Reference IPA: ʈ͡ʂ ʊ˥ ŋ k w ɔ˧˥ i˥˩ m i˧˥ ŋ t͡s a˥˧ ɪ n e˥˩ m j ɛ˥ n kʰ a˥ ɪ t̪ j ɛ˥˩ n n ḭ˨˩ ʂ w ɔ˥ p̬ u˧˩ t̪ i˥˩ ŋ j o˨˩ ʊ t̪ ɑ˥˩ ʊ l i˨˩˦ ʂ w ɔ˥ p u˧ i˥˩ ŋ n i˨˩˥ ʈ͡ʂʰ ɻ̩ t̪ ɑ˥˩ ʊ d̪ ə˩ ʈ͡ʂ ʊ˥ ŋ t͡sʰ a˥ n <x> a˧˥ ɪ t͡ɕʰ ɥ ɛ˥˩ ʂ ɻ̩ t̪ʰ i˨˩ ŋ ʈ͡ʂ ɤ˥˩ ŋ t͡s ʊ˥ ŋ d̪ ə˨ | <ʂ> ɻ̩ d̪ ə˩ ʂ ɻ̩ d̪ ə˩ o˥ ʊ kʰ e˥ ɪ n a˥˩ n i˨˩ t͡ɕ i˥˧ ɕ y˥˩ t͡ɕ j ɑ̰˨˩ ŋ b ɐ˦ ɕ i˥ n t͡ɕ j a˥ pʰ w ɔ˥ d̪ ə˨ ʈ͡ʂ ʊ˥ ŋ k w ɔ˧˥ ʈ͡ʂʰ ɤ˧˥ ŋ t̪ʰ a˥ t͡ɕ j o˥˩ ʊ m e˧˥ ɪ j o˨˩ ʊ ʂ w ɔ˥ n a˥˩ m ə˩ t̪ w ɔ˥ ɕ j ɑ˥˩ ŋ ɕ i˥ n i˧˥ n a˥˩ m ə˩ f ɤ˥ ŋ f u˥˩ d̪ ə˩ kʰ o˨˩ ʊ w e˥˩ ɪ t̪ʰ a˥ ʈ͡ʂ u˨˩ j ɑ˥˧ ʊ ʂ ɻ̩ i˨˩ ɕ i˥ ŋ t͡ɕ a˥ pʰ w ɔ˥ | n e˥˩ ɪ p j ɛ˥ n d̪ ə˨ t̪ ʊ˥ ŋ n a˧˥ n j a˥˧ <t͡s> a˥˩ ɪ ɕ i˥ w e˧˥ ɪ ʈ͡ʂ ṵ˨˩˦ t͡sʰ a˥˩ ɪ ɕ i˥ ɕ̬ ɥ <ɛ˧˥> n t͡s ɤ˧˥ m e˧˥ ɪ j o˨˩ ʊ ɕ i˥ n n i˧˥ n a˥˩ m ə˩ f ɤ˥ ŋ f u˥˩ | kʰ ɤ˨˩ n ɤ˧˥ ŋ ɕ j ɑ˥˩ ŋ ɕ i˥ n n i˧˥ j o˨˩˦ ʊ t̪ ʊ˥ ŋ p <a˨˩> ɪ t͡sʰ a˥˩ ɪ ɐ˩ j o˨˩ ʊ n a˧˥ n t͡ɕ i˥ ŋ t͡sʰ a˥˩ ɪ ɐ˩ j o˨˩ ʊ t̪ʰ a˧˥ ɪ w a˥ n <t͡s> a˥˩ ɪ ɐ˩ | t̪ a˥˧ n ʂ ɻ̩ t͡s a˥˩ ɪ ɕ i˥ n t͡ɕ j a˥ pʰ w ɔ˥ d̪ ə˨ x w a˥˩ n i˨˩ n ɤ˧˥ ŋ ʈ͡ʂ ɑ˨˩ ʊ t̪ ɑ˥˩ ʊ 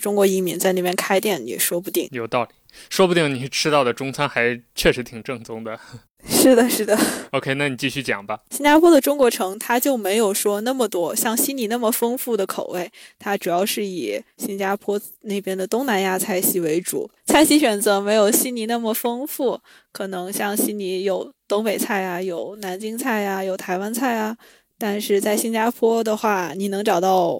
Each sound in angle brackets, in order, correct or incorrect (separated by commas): correct, correct, incorrect, incorrect, incorrect, incorrect